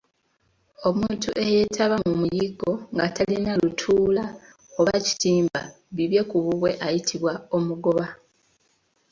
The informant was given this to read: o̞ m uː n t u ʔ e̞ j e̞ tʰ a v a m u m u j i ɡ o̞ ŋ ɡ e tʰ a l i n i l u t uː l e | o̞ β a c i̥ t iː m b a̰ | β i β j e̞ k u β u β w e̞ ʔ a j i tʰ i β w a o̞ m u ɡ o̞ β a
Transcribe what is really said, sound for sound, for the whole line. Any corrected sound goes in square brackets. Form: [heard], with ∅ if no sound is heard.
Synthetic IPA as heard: o̞ m uː n t u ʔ e̞ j e̞ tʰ a [β] a m u m u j i ɡ o̞ ŋ ɡ [a] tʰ a l i n [a] l u [tʰ] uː l [a] | o̞ β a c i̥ t iː m b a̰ | β i β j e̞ k u β u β w e̞ ʔ a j i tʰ i β w a o̞ m u ɡ o̞ β a